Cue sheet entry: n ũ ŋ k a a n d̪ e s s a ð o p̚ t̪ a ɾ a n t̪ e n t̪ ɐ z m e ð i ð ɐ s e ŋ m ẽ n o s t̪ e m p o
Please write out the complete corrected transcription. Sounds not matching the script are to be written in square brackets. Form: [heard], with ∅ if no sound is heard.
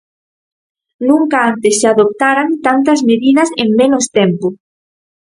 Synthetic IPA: n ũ ŋ k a a n [t̪] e s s a ð o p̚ t̪ a ɾ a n t̪ [a] n t̪ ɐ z m e ð i ð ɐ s e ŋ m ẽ n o s t̪ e m p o